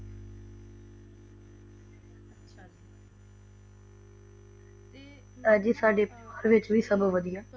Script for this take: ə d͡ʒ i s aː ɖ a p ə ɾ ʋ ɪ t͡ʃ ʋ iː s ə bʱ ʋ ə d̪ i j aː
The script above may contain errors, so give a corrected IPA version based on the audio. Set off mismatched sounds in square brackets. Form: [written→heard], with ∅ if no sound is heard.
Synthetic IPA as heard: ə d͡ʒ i s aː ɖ [a→e] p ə ɾ ʋ ɪ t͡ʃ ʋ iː s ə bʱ ʋ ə d̪ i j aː